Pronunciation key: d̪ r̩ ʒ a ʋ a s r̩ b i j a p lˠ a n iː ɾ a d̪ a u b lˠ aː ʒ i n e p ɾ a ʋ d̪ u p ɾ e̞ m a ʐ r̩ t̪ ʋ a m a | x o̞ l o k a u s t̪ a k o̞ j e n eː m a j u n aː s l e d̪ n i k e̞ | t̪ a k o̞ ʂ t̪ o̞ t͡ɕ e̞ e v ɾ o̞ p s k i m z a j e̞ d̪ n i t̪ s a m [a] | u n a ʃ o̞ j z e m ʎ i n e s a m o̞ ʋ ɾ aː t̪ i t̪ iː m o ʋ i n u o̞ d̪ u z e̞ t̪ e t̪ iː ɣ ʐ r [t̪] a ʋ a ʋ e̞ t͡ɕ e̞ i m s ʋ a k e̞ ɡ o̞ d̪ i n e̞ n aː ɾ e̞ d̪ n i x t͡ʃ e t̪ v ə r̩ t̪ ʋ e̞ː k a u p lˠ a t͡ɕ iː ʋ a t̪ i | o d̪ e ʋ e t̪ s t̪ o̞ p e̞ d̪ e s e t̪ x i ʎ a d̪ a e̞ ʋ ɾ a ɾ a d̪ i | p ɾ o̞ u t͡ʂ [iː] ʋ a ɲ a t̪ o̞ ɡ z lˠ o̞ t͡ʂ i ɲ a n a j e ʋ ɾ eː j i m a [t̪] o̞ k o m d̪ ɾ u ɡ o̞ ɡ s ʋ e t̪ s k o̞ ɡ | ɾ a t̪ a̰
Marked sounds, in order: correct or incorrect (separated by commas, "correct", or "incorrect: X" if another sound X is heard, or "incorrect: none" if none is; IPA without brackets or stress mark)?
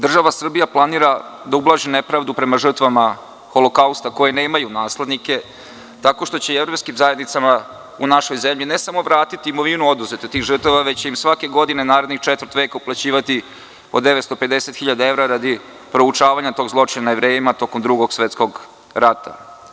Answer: correct, correct, incorrect: aː, correct